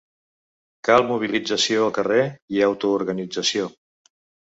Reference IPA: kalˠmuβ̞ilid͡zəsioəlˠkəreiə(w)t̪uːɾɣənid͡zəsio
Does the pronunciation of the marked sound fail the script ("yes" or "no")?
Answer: no